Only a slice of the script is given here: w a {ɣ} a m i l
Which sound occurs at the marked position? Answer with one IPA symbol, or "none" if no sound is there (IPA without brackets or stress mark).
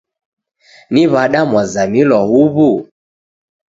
z